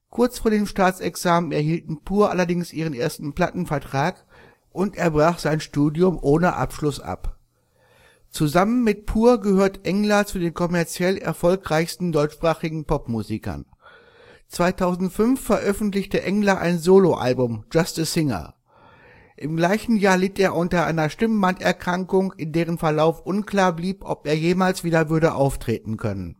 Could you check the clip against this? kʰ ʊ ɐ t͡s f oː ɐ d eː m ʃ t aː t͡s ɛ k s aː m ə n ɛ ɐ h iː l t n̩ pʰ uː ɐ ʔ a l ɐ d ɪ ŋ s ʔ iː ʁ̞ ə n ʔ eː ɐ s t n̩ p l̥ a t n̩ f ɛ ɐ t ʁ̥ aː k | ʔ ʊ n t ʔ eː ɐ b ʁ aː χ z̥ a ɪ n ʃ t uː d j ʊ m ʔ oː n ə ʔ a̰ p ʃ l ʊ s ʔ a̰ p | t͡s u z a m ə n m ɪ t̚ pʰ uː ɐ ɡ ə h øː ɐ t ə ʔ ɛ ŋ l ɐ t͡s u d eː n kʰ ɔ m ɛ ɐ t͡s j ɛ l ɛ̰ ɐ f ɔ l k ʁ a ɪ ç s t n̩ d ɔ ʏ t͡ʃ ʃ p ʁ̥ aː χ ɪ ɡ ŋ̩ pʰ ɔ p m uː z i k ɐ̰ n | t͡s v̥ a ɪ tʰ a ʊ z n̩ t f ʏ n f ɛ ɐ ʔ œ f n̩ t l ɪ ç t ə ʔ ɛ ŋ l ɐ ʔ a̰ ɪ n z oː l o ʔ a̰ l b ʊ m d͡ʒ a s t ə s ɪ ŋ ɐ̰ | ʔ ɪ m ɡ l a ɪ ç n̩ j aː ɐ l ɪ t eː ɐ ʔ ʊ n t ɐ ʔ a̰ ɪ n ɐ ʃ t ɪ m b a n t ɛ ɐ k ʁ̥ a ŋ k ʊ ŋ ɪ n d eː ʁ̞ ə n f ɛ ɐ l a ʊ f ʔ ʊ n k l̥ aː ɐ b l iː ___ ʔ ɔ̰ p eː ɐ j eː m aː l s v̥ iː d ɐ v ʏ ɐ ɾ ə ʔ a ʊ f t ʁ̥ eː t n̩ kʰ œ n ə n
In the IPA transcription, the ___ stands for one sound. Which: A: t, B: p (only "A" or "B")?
B